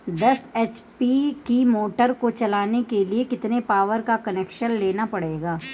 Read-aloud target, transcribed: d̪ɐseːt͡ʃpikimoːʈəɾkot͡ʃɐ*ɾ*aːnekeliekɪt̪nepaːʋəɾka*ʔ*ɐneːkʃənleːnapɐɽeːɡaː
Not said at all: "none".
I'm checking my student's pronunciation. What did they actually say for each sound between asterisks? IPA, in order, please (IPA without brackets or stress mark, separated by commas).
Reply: l, k